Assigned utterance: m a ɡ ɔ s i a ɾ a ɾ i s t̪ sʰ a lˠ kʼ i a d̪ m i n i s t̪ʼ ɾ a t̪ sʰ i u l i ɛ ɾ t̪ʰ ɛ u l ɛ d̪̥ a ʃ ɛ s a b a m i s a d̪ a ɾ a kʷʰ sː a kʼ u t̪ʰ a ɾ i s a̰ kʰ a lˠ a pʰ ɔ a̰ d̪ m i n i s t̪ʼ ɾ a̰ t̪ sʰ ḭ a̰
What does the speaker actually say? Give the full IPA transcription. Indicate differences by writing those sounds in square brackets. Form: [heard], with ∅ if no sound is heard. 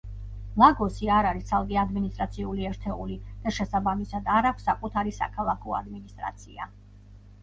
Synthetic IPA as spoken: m a ɡ ɔ s i a ɾ a ɾ i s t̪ sʰ a lˠ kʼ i a d̪ m i n i s t̪ʼ ɾ a t̪ sʰ i u l i ɛ ɾ t̪ʰ ɛ u l [i] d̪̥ a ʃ ɛ s a b a m i s a d̪ a ɾ a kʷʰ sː a kʼ u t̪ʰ a ɾ i s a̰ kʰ a lˠ a [kʰ] ɔ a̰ d̪ m i n i s t̪ʼ ɾ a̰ t̪ sʰ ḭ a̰